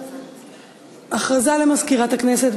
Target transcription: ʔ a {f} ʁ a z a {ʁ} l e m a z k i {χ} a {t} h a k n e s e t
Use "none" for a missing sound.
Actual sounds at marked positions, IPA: χ, none, ʁ, t

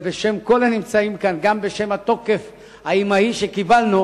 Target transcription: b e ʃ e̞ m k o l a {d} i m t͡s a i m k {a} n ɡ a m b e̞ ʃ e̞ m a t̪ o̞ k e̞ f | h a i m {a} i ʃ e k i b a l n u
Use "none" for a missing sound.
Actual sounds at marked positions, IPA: n, a, a

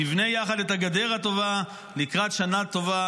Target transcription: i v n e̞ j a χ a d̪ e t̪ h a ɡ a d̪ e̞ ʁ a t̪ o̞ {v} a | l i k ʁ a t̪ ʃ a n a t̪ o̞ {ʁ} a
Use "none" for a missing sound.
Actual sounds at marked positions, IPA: v, v

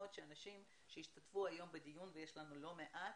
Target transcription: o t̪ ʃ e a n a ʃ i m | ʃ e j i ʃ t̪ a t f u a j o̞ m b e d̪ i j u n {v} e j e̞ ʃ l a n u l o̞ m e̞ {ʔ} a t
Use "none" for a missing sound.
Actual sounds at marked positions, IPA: v, ʔ

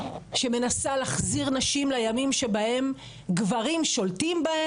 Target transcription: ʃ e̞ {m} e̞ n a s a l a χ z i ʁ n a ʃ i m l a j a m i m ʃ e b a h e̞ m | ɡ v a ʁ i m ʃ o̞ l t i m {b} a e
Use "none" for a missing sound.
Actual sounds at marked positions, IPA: m, b

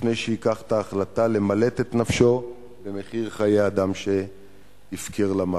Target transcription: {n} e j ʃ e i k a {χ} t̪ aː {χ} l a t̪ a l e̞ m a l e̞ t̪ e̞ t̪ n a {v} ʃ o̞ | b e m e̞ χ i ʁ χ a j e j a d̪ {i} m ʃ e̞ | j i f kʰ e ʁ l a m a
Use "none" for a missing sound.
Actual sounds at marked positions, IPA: n, χ, χ, f, a

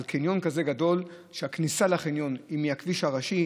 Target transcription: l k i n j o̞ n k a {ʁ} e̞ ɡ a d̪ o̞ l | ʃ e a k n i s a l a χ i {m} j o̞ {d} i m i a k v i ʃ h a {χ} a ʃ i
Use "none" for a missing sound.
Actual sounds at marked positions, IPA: z, n, n, ʁ

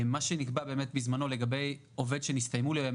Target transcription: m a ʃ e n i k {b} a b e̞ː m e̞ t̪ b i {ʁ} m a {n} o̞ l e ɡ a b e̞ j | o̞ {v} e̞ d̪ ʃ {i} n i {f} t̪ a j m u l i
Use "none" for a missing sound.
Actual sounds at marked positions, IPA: b, z, n, v, e, s

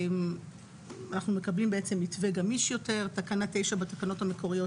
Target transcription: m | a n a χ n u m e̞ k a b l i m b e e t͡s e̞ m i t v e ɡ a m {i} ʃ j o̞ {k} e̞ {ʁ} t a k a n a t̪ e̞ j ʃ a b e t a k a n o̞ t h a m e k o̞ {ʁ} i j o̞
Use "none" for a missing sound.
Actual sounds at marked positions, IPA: i, t, ʁ, ʁ

